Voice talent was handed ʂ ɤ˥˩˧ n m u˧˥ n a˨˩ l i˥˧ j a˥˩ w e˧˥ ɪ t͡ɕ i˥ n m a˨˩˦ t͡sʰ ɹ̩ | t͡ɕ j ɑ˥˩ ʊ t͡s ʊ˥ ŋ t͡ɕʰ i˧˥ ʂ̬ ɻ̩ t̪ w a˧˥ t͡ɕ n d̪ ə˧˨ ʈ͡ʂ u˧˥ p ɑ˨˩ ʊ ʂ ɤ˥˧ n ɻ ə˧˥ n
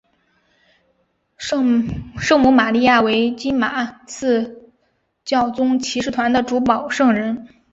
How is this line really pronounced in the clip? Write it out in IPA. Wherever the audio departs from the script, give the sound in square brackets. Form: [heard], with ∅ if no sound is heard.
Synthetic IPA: ʂ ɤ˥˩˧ [ŋ] m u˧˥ [m] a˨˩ l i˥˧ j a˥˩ w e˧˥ ɪ t͡ɕ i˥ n m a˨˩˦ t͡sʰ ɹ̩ | t͡ɕ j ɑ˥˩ ʊ t͡s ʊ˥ ŋ t͡ɕʰ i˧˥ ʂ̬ ɻ̩ [t̪ʰ] w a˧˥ [∅] n d̪ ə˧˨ ʈ͡ʂ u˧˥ p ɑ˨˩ ʊ ʂ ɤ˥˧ [ŋ] ɻ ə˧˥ n